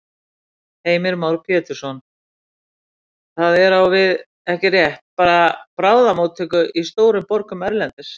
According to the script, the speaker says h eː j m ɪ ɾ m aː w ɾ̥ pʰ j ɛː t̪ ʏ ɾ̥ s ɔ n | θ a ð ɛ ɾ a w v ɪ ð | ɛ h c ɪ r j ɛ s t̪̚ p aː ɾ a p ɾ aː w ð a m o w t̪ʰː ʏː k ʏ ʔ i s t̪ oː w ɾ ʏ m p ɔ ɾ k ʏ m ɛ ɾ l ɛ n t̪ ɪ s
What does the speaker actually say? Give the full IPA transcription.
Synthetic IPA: h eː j m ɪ ɾ m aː w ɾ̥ pʰ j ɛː t̪ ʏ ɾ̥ s ɔ n | θ a ð ɛ ɾ a w v ɪ ð | ɛ h c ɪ r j ɛ h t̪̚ p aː ɾ a p ɾ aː w ð a m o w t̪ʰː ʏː k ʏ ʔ i s t̪ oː w ɾ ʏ m p ɔ ɾ k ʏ m ɛ ɾ l ɛ n t̪ ɪ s